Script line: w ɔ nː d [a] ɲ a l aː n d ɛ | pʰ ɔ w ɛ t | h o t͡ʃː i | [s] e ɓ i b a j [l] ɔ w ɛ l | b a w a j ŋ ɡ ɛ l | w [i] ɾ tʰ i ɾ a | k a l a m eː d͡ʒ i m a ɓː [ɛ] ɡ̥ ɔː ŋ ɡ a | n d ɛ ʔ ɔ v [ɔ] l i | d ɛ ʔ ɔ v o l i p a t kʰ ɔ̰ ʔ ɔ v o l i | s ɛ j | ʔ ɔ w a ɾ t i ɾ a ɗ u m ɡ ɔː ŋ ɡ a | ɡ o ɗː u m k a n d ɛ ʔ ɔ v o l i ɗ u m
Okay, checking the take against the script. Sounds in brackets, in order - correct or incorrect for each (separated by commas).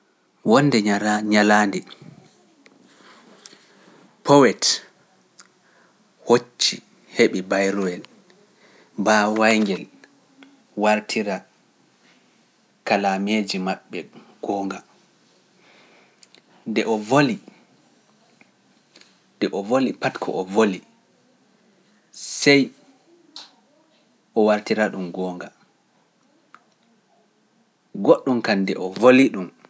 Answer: incorrect, incorrect, incorrect, incorrect, correct, incorrect